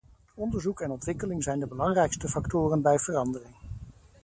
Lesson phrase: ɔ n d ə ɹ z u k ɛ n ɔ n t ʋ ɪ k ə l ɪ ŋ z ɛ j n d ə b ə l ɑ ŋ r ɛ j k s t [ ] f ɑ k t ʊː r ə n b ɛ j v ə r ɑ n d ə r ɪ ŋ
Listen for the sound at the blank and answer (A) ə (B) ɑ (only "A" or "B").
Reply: A